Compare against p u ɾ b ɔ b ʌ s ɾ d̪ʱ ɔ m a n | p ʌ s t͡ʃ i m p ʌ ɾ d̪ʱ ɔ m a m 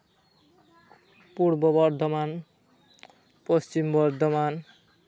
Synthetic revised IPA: p u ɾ b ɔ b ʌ ɾ d̪ʱ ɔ m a n | p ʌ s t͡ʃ i m b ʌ ɾ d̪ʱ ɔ m a n